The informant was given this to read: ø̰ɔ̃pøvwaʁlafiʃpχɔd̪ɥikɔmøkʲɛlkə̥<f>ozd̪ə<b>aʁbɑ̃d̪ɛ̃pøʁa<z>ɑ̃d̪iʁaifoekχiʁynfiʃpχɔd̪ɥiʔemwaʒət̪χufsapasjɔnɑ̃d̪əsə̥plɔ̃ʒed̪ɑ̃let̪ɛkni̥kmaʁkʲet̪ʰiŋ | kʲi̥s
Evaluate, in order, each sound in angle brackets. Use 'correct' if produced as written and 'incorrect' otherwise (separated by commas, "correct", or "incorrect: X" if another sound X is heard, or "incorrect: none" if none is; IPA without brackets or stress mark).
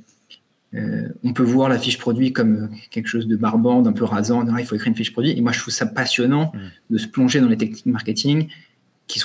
incorrect: ʃ, correct, correct